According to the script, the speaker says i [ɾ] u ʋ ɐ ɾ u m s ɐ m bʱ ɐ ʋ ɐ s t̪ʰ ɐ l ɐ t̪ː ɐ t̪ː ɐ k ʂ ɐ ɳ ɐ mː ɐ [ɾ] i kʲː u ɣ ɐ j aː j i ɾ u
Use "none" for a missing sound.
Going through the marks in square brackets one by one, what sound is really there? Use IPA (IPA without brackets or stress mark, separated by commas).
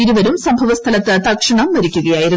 ɾ, ɾ